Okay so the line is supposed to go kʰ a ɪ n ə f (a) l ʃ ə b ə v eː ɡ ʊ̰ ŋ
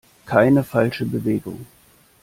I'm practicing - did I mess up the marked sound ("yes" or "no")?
no